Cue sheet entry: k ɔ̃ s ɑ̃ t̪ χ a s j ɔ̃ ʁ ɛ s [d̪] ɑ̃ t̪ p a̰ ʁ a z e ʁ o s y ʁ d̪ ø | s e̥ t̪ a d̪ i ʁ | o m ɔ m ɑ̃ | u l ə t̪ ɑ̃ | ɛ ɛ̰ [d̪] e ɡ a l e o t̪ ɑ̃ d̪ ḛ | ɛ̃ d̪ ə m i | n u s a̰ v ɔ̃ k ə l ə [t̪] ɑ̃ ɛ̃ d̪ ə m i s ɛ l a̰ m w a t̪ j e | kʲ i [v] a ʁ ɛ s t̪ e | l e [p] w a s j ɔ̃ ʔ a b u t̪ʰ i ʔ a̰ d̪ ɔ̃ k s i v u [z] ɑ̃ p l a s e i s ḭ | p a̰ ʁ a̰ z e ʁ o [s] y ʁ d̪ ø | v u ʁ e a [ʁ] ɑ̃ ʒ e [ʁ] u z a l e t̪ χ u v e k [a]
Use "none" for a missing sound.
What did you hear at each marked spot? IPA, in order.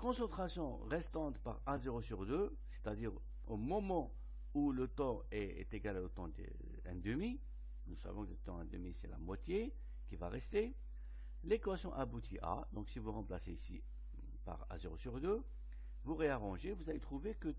t̪, t̪, t̪, v, k, ʁ, s, ʁ, v, ə

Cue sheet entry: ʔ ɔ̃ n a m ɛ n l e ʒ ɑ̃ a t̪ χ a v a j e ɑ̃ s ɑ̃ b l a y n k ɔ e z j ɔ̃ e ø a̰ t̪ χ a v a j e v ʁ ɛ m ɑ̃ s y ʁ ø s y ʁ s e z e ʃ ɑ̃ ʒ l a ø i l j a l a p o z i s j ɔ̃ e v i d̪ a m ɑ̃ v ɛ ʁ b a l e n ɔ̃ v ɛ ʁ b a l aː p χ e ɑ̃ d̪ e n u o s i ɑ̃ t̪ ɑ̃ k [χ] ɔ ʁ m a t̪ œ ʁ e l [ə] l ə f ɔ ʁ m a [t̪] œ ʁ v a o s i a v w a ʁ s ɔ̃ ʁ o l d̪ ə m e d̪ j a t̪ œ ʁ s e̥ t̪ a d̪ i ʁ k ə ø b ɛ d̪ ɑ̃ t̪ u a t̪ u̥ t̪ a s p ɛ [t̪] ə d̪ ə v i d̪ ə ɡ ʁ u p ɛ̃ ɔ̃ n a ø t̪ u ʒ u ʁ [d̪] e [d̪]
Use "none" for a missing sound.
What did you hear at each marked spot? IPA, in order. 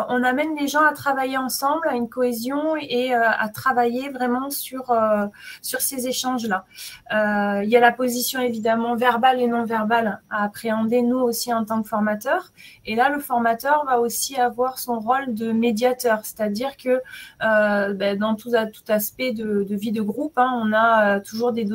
f, a, t̪, d̪, d̪, d̪

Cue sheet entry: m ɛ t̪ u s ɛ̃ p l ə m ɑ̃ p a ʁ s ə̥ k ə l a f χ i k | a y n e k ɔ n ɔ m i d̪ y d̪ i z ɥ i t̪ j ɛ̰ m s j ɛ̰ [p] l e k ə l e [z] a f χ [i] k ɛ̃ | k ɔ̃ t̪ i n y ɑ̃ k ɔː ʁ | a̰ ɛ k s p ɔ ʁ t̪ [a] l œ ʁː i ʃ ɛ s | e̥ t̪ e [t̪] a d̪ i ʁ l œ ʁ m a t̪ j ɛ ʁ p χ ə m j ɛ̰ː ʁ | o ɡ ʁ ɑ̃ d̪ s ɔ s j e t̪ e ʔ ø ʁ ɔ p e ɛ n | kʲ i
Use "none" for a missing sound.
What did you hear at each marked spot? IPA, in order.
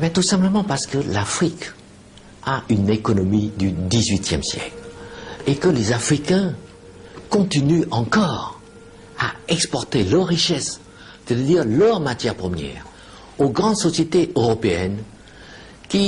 k, z, i, e, t̪

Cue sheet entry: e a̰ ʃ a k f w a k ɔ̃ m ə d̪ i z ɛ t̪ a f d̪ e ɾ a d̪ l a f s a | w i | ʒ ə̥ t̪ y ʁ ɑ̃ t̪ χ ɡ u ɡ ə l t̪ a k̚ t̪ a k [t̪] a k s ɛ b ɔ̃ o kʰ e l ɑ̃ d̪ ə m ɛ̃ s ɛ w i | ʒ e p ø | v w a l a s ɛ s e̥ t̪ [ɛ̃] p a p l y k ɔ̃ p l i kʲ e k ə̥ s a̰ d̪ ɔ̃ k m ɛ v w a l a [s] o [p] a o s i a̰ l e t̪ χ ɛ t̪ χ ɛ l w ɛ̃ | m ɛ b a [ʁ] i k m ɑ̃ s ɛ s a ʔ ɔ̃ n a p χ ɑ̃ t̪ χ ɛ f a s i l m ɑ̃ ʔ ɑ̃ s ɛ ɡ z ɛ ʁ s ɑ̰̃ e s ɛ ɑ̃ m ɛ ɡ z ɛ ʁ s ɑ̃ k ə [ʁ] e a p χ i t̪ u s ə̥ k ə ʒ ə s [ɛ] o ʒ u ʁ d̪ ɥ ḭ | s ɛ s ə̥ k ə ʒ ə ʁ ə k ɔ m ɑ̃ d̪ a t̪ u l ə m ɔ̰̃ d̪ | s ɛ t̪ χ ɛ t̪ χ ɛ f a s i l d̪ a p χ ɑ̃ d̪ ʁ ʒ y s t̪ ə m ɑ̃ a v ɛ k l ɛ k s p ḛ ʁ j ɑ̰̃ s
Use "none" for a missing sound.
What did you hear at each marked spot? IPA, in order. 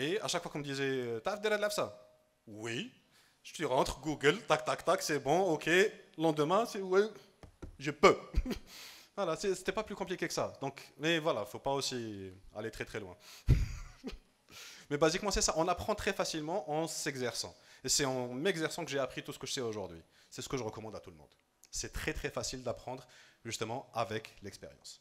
t̪, ɛ, f, p, z, ʒ, ɛ

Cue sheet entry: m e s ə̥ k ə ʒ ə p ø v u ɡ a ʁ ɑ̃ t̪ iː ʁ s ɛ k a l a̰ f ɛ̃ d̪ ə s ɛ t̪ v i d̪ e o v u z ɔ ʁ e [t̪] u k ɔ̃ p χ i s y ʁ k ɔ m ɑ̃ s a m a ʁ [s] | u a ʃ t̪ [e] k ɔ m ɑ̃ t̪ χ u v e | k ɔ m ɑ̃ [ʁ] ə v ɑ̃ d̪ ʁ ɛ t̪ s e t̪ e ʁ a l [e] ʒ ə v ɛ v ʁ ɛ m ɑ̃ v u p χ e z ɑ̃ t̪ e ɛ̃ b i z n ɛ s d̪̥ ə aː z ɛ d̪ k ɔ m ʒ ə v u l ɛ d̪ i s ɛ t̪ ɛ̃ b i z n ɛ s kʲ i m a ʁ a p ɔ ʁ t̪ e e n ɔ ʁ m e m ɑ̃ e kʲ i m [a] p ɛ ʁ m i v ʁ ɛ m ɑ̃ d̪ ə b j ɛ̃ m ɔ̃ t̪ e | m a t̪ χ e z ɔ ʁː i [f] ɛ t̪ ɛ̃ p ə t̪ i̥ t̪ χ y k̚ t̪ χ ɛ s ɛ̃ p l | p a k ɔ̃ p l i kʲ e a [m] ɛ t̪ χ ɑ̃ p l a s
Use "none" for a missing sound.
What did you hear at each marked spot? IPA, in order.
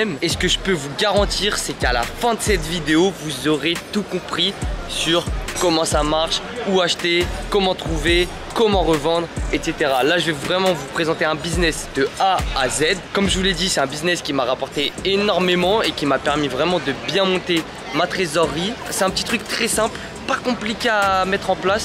t̪, ʃ, e, ʁ, a, a, s, m

